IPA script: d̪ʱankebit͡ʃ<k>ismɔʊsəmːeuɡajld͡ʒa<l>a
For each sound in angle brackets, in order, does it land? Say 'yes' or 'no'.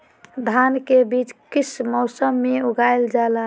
yes, yes

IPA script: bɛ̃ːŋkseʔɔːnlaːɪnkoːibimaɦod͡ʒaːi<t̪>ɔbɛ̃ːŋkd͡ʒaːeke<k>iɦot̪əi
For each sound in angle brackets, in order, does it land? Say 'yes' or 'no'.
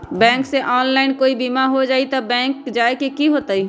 yes, yes

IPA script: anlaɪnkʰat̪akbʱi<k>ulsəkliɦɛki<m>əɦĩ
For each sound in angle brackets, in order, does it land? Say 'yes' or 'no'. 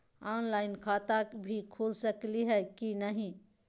no, no

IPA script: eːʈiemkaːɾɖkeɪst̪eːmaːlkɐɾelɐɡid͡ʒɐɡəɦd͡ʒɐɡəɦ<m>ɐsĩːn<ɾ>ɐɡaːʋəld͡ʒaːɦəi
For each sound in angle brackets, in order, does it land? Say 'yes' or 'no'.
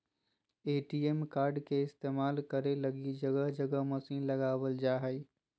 yes, no

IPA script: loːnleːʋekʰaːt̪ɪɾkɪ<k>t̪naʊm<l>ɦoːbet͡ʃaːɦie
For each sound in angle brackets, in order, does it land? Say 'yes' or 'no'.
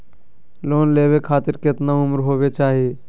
no, no

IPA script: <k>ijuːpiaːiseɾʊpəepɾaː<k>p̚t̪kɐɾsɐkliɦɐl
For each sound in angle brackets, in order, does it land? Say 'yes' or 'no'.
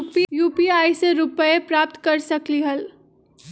no, no

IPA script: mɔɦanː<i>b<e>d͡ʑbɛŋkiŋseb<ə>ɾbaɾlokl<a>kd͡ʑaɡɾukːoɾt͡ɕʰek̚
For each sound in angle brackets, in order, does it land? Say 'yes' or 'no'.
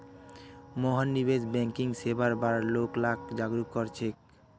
yes, yes, no, yes

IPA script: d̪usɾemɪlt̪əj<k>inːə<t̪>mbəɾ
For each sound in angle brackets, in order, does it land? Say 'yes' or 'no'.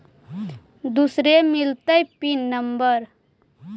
no, no

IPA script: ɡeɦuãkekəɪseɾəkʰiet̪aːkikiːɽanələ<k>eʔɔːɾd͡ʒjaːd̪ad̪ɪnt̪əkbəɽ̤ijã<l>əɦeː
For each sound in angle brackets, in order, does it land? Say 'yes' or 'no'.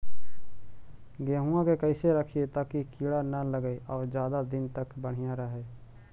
no, no

